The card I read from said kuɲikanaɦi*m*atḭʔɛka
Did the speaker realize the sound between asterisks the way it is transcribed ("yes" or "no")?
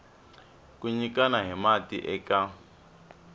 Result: yes